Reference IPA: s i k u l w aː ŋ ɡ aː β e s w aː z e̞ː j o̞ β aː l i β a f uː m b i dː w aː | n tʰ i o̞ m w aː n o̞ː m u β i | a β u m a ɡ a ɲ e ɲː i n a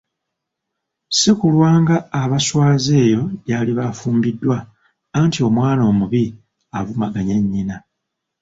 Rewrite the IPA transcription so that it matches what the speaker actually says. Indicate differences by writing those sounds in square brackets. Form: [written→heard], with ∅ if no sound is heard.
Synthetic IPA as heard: s i k u l w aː ŋ ɡ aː β [e→a] s w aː z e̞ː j o̞ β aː l i β a f uː m b i dː w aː | n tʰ i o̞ m w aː n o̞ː m u β i | a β u m a ɡ a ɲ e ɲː i n a